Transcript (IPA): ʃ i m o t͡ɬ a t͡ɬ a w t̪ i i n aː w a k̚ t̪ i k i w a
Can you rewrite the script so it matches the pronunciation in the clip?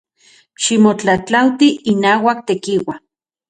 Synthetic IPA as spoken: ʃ i m o t͡ɬ a t͡ɬ a w t̪ i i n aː w a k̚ t̪ e k i w a